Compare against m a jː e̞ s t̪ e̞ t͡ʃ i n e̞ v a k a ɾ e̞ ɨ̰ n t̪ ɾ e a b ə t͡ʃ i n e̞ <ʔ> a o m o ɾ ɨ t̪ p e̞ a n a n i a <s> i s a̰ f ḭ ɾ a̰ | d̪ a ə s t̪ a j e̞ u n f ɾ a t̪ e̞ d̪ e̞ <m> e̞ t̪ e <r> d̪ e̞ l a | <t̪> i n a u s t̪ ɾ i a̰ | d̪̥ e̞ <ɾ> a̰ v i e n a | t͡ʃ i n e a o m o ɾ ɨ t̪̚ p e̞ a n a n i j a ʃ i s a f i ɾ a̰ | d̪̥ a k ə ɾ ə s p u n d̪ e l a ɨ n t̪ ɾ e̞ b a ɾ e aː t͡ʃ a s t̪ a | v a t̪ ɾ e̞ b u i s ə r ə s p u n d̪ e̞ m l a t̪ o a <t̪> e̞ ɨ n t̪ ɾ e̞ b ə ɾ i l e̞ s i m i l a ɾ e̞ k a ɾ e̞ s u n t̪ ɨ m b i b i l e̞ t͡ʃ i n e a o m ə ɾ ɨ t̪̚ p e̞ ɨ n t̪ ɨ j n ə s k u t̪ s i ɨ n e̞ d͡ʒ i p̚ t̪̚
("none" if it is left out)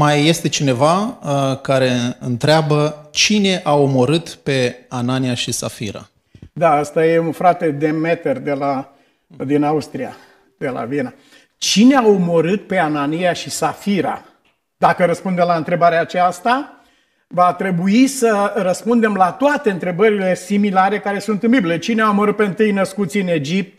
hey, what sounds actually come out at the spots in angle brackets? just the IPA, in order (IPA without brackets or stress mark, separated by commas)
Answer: ʔ, ʃ, m, r, d̪, l, t̪